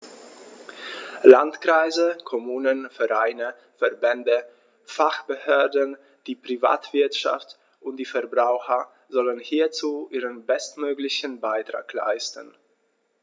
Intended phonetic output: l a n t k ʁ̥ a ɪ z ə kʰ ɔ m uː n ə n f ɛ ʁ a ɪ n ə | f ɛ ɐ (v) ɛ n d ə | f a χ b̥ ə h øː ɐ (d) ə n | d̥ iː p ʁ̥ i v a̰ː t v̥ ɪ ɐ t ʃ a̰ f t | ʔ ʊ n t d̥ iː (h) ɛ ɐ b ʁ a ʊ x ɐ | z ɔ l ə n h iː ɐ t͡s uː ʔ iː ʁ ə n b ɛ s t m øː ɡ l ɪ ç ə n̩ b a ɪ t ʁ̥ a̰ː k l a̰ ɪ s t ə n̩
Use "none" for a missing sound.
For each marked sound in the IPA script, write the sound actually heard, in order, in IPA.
b, d, f

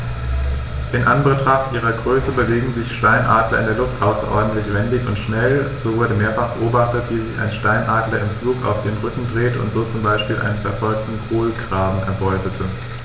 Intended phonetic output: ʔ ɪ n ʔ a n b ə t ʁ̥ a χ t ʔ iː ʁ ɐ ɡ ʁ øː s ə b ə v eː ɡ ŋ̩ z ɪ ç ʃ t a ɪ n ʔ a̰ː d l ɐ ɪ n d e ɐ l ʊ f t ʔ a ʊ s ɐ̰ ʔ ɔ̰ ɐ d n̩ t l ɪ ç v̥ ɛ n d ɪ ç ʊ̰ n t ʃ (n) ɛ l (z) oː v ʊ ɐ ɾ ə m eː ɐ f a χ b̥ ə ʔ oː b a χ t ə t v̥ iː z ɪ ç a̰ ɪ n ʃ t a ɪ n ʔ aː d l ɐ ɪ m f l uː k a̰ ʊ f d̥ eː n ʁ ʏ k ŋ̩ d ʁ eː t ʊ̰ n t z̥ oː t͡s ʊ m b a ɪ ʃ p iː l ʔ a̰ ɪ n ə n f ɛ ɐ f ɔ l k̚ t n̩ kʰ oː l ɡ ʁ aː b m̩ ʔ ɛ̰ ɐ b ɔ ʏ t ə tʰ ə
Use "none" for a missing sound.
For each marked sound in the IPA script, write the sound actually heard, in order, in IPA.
n, z

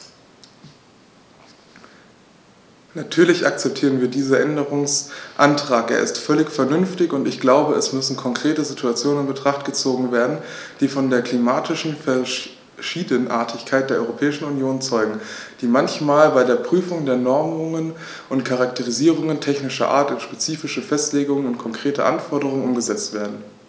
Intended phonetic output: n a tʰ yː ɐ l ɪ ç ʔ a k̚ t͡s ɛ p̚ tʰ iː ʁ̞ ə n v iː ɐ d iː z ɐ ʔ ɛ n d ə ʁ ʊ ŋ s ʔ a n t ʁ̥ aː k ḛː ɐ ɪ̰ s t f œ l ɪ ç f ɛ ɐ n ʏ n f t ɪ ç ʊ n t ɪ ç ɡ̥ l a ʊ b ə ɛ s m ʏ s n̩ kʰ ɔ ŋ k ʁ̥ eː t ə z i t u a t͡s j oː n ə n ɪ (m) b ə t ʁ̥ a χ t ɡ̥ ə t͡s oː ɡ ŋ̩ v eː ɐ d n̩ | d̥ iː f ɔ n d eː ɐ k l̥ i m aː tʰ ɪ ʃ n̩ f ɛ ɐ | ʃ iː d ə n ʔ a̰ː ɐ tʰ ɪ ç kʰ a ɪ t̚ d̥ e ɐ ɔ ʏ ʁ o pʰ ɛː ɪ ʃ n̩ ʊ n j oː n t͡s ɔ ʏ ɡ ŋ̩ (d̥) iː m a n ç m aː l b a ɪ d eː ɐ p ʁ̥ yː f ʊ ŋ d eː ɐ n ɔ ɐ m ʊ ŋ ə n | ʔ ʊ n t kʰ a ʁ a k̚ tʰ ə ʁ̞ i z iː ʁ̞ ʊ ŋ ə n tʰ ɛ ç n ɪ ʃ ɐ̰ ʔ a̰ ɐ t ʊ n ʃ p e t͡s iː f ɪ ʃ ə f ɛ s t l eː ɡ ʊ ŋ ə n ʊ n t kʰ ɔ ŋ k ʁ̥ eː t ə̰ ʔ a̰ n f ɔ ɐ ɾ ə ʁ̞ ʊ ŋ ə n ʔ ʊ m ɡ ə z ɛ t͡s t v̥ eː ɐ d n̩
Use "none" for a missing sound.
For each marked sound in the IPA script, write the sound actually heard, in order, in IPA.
n, d̥

